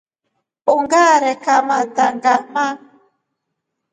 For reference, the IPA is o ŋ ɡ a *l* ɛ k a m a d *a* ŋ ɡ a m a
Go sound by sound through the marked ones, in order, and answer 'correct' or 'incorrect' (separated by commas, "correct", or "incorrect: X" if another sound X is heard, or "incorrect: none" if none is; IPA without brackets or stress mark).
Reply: incorrect: ɾ, correct